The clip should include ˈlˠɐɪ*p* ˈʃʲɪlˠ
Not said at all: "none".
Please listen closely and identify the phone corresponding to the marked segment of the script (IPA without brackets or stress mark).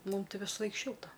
k